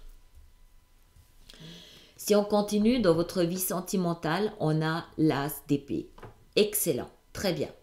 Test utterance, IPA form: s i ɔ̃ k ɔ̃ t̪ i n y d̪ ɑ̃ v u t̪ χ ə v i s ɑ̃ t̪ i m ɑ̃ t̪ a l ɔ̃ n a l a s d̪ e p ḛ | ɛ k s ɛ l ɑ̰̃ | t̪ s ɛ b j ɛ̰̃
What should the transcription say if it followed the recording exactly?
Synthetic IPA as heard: s i ɔ̃ k ɔ̃ t̪ i n y d̪ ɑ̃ v ɔ t̪ χ ə v i s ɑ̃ t̪ i m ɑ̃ t̪ a l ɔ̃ n a l a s d̪ e p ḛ | ɛ k s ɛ l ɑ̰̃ | t̪ χ ɛ b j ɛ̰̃